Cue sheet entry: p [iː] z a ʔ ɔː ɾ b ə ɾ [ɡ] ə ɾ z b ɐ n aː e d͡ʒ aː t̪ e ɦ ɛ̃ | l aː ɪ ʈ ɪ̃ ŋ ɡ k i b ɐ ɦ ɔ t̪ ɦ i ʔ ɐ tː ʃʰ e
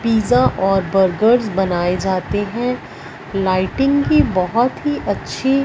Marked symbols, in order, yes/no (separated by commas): yes, yes